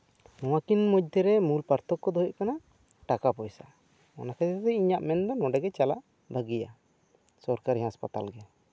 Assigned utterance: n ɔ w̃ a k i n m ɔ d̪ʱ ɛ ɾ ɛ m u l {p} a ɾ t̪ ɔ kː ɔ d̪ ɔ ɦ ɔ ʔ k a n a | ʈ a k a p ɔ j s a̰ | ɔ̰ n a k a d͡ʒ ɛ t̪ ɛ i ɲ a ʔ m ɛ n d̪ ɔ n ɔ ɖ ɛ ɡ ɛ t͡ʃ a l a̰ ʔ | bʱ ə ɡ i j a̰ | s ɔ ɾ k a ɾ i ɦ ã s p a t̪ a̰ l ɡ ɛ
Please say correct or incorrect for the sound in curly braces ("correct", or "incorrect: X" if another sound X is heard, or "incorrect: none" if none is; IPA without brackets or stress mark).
correct